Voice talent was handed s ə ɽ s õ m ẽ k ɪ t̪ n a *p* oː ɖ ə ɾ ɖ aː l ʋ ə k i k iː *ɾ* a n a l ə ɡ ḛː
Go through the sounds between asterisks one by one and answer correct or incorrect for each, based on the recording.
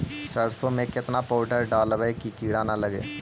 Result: correct, incorrect

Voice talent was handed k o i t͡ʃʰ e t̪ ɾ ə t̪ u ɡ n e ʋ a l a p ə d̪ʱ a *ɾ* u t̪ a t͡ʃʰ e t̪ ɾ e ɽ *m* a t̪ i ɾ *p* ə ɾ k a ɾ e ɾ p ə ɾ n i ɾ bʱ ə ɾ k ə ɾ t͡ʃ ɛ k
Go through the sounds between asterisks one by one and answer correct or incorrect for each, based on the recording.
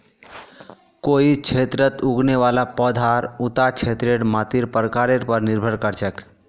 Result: correct, correct, correct

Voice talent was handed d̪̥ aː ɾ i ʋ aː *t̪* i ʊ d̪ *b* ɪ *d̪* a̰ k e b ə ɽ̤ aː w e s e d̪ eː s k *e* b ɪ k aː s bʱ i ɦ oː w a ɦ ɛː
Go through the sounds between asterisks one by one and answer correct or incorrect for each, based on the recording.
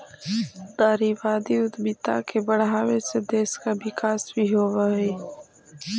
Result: incorrect, correct, incorrect, incorrect

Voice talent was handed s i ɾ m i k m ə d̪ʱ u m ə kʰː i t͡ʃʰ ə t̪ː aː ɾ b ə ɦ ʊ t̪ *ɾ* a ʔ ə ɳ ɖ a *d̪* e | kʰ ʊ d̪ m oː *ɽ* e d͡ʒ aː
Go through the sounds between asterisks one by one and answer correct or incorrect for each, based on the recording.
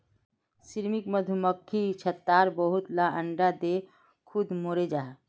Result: incorrect, correct, incorrect

